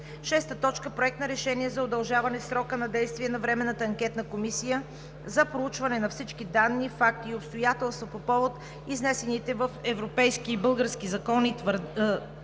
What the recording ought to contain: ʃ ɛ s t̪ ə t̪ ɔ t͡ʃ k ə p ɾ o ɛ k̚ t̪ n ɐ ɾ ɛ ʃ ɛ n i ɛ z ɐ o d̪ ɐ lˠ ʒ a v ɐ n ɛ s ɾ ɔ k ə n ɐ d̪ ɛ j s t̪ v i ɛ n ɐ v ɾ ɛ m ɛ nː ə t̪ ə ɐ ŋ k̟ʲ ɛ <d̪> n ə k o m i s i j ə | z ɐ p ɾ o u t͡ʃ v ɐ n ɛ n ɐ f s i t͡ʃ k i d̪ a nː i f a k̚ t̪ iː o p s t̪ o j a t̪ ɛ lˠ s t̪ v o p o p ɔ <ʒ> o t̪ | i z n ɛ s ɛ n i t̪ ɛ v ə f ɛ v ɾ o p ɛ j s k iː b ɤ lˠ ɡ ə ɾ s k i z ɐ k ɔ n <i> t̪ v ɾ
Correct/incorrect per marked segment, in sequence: incorrect: t̪, incorrect: v, correct

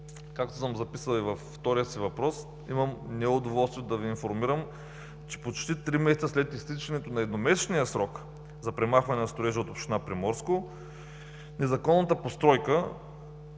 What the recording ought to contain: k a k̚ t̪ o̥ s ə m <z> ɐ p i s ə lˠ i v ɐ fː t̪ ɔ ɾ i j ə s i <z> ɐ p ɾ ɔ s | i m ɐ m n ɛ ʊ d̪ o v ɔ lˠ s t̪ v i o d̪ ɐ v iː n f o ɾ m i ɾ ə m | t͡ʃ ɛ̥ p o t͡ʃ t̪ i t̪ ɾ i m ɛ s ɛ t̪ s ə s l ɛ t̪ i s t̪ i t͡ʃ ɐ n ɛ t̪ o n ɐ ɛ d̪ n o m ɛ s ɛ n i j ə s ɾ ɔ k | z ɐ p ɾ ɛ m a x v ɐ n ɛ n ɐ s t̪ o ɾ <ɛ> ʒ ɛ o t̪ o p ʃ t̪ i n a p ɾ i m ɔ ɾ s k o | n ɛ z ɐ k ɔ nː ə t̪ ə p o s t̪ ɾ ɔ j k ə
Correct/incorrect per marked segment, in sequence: correct, incorrect: v, correct

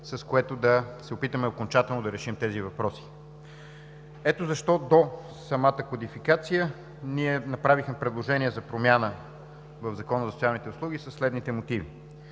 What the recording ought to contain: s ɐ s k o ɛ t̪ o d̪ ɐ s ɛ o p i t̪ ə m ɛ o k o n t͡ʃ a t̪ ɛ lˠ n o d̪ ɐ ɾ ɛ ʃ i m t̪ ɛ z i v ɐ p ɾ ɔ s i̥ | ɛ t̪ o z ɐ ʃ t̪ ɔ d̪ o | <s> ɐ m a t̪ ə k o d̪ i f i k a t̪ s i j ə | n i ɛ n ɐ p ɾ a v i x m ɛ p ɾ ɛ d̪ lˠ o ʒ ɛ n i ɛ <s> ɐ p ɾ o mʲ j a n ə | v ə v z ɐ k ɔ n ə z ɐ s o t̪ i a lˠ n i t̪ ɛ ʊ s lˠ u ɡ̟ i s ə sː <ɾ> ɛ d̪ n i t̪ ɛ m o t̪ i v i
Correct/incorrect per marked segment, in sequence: correct, incorrect: z, incorrect: l

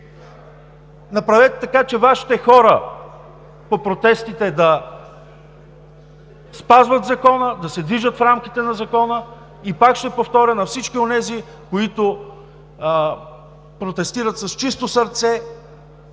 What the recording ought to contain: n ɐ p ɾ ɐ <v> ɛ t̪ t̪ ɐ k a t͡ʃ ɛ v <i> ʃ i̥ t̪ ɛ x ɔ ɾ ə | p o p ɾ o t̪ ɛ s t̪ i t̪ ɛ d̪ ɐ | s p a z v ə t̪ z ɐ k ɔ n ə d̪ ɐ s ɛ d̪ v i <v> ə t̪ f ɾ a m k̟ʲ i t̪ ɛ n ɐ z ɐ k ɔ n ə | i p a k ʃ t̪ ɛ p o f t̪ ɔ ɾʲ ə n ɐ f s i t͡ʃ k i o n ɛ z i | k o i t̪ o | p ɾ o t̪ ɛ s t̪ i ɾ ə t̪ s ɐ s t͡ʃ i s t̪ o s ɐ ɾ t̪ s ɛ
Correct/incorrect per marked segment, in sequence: correct, incorrect: a, incorrect: ʒ

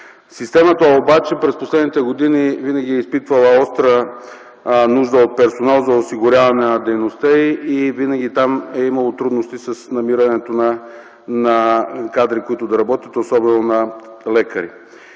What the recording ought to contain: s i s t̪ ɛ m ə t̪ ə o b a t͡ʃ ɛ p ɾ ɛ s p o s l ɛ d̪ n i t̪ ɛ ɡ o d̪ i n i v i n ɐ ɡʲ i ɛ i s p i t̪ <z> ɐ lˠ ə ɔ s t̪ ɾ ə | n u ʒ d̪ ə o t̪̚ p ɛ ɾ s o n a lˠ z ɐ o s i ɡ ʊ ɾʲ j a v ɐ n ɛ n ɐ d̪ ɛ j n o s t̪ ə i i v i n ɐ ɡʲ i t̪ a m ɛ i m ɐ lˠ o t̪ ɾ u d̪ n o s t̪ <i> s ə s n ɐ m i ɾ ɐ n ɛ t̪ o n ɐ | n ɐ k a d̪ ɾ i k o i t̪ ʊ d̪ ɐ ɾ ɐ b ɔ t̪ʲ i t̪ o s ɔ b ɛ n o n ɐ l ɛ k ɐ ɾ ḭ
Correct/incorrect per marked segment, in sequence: incorrect: v, correct

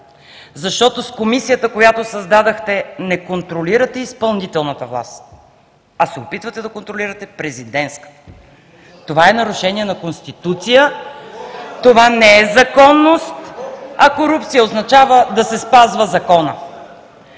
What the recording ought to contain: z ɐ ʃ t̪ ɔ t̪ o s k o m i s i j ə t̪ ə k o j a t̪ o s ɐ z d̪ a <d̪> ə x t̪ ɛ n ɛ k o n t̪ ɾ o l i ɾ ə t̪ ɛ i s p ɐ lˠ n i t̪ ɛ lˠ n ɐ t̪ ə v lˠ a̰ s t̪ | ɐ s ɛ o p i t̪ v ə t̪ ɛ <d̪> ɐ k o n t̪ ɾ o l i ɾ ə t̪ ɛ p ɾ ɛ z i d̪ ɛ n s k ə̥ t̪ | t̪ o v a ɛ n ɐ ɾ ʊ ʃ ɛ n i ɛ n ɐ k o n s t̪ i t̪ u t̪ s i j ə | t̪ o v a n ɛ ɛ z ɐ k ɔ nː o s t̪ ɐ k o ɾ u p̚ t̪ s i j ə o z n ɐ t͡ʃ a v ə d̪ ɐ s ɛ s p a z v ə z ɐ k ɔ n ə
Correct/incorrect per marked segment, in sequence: correct, correct

